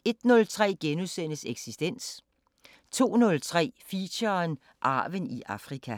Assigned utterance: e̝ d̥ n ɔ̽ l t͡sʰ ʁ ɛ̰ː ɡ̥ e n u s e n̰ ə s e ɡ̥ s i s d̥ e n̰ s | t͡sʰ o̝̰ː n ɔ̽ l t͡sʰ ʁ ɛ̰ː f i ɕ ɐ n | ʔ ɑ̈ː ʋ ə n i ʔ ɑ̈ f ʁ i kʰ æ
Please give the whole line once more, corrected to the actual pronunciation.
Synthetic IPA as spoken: e̝ d̥ n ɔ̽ l t͡sʰ ʁ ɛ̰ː ɡ̥ e n u s e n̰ ə s e ɡ̥ s i s d̥ e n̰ s | t͡sʰ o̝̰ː n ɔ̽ l t͡sʰ ʁ ɛ̰ː f i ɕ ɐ n | ʔ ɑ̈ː ʋ ə n i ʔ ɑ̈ f ʁ i kʰ æ